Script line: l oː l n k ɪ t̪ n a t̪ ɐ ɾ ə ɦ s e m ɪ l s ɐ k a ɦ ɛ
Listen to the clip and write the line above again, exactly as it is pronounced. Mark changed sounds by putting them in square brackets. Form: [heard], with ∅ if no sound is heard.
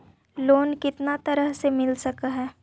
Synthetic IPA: l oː [∅] n k ɪ t̪ n a t̪ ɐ ɾ ə ɦ s e m ɪ l s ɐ k a ɦ [ɛː]